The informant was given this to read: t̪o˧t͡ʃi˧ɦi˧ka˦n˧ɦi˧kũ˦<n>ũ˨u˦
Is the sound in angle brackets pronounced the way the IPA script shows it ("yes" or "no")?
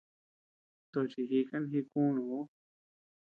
yes